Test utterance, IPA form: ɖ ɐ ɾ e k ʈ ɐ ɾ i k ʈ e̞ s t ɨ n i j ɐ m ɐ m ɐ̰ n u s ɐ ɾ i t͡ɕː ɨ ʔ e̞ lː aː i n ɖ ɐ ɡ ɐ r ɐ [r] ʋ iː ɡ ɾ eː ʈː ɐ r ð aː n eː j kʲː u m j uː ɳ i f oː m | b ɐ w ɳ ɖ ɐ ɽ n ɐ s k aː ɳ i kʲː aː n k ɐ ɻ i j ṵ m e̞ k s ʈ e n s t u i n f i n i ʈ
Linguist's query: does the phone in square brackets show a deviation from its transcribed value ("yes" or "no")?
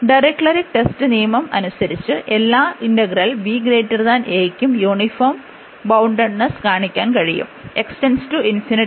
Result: yes